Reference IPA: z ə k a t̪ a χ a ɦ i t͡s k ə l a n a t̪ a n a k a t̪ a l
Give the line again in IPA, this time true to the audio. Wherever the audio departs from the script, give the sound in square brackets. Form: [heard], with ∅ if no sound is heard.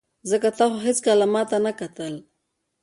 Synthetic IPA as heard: z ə k a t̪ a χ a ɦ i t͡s k [a] l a [m] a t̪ a n a k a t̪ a l